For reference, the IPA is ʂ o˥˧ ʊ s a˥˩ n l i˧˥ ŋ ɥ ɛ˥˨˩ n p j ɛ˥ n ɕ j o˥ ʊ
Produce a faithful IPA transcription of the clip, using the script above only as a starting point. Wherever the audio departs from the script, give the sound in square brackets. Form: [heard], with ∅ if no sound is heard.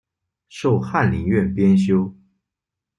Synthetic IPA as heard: ʂ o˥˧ ʊ [x] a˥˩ n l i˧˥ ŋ ɥ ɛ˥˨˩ n p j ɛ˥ n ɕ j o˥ ʊ